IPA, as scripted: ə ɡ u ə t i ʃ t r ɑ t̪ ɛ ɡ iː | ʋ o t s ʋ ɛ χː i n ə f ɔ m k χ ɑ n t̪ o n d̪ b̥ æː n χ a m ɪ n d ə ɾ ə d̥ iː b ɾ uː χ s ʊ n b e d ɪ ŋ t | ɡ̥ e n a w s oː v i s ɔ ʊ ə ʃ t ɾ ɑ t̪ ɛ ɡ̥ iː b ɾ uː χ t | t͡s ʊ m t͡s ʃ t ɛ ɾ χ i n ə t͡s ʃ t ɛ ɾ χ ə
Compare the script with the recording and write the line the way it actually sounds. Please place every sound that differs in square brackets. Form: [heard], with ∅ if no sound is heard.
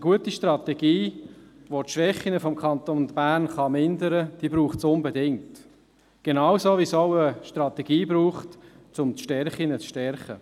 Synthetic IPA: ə ɡ u ə t i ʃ t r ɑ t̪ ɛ ɡ iː | ʋ o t [ʃ] ʋ ɛ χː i n ə f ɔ m k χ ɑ n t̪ o n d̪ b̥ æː n χ [ɑ] m ɪ n d ə ɾ ə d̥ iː b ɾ uː χ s ʊ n b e d ɪ ŋ t | ɡ̥ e n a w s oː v i s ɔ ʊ ə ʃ t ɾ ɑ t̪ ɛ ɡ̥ iː b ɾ uː χ t | t͡s ʊ m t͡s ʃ t ɛ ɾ χ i n ə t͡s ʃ t ɛ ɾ χ ə